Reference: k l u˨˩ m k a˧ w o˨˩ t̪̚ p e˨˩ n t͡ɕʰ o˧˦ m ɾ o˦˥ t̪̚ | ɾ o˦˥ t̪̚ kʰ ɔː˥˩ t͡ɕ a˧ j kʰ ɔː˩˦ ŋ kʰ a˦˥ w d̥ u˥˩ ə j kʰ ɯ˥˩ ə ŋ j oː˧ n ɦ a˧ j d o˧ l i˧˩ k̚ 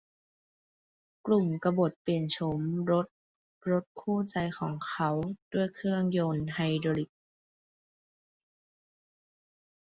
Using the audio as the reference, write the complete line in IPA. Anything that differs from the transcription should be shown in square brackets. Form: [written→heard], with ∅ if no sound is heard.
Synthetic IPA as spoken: k l u˨˩ m k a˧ [w→b] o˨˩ t̪̚ p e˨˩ n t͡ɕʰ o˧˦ m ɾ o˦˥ t̪̚ | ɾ o˦˥ t̪̚ kʰ [ɔː˥˩→uː˥˩] t͡ɕ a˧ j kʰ ɔː˩˦ ŋ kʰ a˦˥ w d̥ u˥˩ ə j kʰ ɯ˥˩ ə ŋ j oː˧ n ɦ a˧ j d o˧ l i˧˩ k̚